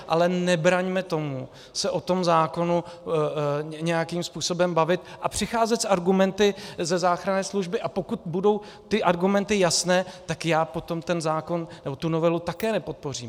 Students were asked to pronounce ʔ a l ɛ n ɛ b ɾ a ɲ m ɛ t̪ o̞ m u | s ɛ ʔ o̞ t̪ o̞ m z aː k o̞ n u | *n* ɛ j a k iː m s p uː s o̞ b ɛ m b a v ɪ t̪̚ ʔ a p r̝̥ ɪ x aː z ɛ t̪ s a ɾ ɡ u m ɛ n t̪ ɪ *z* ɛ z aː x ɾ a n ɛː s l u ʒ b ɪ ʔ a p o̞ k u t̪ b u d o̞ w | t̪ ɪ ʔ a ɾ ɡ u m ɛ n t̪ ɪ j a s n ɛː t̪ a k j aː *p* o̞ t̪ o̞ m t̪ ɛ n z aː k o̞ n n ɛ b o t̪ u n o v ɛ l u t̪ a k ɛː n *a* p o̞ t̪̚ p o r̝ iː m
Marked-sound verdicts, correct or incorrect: incorrect: ɲ, correct, correct, incorrect: ɛ

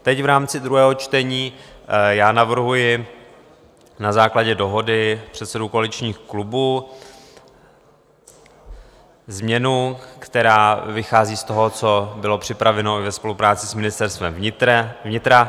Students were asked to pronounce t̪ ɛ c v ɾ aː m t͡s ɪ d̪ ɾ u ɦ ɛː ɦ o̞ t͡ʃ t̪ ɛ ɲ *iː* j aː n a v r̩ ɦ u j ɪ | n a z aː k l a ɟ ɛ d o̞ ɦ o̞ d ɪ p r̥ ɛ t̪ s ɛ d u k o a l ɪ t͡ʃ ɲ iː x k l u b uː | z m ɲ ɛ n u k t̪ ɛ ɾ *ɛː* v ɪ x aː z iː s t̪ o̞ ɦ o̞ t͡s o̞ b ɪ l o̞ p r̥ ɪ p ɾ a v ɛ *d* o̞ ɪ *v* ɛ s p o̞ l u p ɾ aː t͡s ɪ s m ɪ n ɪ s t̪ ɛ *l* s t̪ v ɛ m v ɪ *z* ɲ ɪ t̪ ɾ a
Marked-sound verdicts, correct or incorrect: correct, incorrect: aː, incorrect: n, correct, incorrect: ɾ, incorrect: v

